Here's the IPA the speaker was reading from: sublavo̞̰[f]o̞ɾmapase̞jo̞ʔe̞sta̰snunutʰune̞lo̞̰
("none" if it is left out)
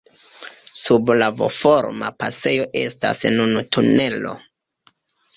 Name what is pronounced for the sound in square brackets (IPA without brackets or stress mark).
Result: f